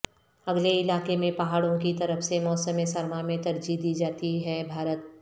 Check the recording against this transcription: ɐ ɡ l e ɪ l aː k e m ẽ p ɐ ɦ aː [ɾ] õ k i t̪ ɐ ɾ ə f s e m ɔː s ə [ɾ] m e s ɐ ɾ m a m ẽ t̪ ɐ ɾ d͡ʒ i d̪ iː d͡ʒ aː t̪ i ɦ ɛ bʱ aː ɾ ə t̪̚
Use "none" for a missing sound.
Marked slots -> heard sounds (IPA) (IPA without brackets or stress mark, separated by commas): ɽ, none